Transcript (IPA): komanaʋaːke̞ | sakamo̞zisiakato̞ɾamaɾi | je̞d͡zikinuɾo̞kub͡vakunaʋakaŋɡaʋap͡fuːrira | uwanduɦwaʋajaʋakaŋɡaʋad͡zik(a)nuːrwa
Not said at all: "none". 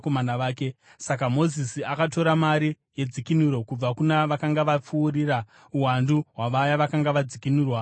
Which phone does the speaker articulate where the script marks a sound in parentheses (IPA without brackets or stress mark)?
i